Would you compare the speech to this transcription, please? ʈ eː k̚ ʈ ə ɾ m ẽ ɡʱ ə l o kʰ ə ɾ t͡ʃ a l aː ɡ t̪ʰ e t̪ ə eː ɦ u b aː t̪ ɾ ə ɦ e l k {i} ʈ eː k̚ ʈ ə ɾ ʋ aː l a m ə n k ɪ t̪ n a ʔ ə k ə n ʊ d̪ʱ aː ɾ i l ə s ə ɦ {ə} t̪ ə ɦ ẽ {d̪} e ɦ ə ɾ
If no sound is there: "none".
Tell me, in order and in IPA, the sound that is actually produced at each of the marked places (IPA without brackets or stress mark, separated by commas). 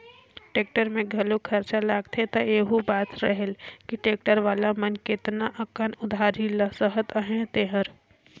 i, ə, t̪